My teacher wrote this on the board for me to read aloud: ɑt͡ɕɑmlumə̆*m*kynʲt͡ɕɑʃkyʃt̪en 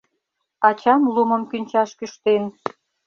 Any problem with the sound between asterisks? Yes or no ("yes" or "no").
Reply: no